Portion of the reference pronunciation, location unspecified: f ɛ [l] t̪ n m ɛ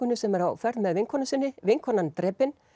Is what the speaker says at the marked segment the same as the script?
no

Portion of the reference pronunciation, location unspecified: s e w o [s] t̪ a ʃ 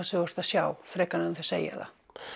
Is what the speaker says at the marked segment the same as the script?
yes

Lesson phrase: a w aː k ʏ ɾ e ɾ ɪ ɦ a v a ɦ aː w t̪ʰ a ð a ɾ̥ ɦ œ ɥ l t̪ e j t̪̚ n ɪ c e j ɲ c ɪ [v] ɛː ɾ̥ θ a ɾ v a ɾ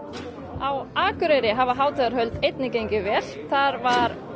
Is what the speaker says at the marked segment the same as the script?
yes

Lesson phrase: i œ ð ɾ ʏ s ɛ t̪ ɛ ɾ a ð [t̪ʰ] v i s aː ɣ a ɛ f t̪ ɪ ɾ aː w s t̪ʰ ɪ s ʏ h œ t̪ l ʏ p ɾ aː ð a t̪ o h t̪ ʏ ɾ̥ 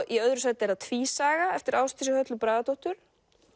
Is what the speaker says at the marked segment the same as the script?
yes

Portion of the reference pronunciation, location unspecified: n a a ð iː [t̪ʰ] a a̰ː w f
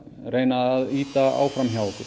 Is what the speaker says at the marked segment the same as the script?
no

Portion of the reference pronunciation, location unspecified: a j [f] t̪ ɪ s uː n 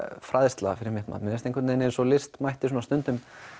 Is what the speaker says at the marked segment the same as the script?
no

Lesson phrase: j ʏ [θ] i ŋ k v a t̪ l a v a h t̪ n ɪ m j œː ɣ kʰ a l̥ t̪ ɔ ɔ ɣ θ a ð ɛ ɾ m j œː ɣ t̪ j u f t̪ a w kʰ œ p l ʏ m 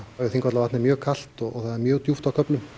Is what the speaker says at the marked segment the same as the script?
yes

